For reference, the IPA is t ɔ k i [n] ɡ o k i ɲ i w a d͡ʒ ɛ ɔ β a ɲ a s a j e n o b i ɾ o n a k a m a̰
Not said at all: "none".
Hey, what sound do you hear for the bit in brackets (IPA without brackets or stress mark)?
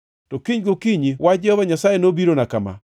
ɲ